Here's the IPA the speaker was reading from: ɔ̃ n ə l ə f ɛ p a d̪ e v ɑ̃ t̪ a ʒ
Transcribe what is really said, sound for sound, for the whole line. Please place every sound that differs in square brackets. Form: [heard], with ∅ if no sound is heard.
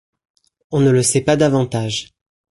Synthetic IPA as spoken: ɔ̃ n ə l ə [s] ɛ p a d̪ [a] v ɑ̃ t̪ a ʒ